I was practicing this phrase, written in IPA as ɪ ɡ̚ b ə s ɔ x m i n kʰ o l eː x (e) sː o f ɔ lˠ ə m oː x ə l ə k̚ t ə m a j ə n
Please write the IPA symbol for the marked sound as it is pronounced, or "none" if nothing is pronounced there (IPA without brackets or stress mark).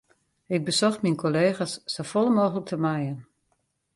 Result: a